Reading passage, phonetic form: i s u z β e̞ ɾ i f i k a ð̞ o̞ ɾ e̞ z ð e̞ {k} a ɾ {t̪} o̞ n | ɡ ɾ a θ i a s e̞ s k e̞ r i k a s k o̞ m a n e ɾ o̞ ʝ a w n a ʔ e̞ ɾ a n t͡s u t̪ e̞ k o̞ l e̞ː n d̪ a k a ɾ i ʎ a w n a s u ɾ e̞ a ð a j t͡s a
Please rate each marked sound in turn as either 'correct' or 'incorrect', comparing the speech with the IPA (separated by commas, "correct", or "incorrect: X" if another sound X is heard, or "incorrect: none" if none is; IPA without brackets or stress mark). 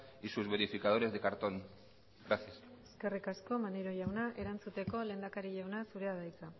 correct, correct